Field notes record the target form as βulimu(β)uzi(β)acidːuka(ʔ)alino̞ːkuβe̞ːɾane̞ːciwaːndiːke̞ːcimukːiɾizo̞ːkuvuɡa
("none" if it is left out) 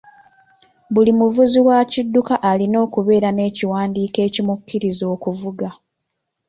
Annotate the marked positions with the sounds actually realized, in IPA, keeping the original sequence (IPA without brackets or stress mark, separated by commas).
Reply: v, w, ʔ